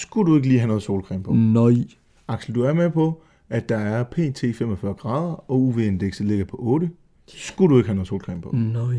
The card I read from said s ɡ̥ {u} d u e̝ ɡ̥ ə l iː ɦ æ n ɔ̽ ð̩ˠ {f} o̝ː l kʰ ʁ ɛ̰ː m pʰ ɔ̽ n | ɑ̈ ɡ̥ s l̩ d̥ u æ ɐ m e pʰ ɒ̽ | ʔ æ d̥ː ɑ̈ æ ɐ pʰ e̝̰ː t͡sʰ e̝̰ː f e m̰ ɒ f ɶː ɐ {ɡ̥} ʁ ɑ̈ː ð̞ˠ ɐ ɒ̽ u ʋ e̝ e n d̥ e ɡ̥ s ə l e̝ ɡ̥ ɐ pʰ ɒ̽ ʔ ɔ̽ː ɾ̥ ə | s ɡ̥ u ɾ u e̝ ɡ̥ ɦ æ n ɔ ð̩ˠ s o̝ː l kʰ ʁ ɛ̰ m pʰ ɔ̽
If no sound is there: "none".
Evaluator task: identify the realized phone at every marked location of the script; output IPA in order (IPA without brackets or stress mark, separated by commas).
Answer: u, s, ɡ̥